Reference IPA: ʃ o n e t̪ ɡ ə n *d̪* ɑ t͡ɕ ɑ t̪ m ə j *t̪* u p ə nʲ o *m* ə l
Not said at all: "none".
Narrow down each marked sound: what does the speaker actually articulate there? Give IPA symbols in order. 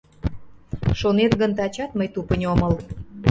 t̪, t̪, m

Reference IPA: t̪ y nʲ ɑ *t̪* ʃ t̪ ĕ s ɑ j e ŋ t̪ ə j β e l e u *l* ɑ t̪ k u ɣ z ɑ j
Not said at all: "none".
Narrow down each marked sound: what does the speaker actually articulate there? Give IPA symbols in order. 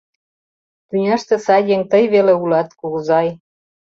none, l

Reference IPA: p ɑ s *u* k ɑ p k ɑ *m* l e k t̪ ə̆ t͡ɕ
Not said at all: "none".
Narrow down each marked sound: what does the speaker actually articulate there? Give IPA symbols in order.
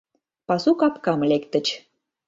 u, m

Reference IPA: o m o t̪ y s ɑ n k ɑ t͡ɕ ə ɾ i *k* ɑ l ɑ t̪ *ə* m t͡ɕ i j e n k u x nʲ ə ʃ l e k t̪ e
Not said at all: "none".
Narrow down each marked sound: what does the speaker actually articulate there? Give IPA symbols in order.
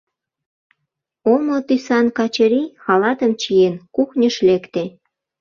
x, ə

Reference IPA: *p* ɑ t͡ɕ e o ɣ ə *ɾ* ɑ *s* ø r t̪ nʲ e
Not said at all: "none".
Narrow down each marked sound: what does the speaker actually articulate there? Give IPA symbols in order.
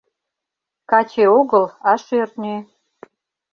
k, l, ʃ

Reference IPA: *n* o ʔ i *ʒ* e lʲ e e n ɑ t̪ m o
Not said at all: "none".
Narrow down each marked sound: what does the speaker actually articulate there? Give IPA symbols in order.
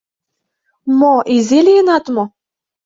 m, z

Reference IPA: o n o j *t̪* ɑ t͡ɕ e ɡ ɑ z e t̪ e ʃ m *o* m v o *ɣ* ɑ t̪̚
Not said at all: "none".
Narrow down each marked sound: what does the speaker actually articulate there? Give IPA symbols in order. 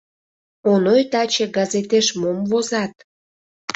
t̪, o, z

